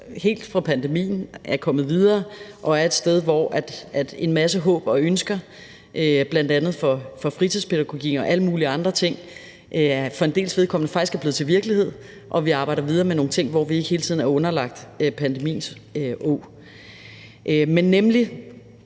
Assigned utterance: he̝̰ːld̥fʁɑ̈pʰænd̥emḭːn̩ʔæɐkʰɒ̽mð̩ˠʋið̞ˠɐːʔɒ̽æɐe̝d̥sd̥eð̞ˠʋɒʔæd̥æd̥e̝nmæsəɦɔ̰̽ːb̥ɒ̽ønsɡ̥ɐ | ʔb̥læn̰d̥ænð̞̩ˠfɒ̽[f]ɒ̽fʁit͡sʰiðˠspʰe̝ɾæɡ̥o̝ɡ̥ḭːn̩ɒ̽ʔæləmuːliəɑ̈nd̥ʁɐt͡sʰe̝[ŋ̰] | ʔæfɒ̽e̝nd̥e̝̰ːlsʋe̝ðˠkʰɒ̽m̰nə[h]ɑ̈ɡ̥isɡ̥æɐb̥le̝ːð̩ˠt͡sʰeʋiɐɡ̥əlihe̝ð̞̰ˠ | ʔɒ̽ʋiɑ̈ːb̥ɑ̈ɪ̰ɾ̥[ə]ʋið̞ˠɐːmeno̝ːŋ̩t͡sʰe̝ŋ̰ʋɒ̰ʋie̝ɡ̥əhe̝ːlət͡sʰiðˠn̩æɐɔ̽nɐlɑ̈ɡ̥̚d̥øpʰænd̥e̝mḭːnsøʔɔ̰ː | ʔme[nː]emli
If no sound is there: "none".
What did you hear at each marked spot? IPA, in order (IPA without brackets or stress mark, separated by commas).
f, ŋ̰, f, ɐ, nː